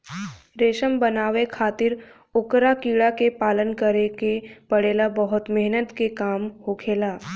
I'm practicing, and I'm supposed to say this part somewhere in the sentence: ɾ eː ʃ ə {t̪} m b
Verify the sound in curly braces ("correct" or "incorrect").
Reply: incorrect